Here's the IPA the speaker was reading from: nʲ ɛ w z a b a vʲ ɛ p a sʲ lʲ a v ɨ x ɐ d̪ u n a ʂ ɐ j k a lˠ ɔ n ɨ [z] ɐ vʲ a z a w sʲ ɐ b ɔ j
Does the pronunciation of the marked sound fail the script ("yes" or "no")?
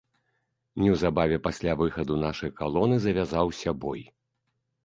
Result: no